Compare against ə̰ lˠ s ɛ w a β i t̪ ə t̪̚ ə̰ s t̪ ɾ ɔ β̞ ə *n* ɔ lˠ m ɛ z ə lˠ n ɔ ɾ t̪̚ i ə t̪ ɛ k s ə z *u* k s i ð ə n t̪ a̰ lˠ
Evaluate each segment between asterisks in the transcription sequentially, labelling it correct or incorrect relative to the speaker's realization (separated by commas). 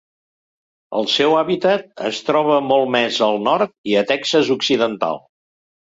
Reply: incorrect, correct